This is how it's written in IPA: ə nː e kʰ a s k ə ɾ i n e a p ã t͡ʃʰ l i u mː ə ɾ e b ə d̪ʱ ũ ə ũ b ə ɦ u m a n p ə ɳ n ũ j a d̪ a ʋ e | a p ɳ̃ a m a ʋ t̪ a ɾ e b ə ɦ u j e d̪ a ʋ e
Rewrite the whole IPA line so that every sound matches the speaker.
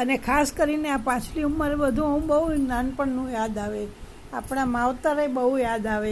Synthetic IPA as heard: ə n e kʰ a s k ə ɾ i n e a p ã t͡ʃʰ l i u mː ə ɾ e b ə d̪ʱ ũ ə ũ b ə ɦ u n a n p ə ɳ n ũ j a d̪ a ʋ e | a p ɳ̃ a m a ʋ t̪ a ɾ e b ə ɦ u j a d̪ a ʋ e